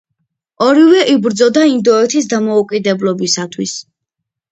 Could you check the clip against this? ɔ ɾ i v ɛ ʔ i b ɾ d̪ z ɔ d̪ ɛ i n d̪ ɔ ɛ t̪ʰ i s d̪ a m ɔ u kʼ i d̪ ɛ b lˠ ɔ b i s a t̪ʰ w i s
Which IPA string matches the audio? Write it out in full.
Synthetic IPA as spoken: ɔ ɾ i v ɛ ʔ i b ɾ d̪ z ɔ d̪ a i n d̪ ɔ ɛ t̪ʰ i s d̪ a m ɔ u kʼ i d̪ ɛ b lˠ ɔ b i s a t̪ʰ w i s